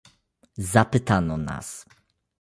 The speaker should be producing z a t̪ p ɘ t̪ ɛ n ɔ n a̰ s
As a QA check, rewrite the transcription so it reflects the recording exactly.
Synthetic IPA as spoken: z a p ɘ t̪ a n ɔ n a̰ s